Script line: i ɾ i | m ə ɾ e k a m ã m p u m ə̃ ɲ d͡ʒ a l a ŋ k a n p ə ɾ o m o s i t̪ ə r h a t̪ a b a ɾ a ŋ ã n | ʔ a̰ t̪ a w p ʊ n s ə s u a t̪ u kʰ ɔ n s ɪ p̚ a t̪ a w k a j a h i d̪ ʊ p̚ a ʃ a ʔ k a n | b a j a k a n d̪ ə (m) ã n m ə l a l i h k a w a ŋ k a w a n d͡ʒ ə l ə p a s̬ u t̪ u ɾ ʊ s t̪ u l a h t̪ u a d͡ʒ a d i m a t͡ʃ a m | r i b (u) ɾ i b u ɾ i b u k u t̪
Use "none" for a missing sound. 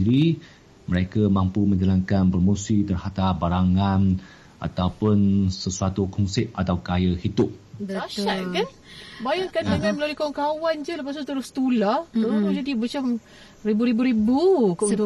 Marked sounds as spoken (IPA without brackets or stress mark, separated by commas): ŋ, u